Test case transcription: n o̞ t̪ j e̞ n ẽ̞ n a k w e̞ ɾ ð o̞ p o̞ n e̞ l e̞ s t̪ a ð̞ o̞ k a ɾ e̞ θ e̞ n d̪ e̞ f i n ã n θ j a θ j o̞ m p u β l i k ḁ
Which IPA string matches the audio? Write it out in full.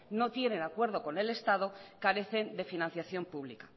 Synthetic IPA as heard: n o̞ t̪ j e̞ n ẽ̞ n a k w e̞ ɾ ð o̞ k o̞ n e̞ l e̞ s t̪ a ð̞ o̞ k a ɾ e̞ θ e̞ n d̪ e̞ f i n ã n θ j a θ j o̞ m p u β l i k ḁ